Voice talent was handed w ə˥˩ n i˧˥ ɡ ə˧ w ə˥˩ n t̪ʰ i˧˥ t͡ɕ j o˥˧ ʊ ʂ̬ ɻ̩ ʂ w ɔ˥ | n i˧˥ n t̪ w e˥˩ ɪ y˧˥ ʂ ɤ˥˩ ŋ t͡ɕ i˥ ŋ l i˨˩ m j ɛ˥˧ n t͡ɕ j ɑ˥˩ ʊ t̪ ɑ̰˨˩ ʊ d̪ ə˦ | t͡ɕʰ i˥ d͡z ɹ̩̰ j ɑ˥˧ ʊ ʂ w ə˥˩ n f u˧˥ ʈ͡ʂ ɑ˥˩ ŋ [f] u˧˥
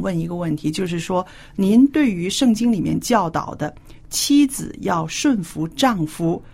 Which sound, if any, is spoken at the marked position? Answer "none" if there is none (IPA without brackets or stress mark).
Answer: f